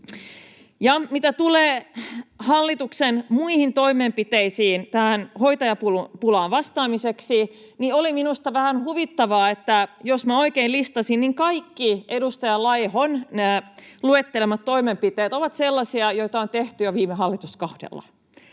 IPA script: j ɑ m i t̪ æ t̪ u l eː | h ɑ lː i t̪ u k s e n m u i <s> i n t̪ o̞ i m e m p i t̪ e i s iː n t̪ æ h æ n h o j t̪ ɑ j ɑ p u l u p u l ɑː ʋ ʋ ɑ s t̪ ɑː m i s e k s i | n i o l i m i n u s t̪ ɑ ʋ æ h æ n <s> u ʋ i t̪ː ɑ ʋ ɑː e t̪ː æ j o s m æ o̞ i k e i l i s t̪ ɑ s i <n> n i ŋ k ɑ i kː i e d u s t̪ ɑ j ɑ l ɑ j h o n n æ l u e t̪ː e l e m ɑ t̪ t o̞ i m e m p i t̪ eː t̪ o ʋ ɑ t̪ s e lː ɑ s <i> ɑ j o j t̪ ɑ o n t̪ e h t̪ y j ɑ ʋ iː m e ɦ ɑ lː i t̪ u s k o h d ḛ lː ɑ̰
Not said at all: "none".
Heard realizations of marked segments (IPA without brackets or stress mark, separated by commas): h, h, n, i